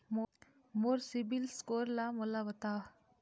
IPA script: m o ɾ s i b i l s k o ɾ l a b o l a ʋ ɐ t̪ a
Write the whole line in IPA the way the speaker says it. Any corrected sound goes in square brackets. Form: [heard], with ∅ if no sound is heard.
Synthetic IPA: m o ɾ s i b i l s k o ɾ l a [m] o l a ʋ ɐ t̪ a